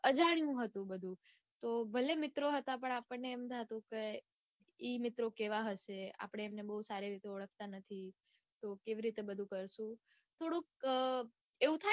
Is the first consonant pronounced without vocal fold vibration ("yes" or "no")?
no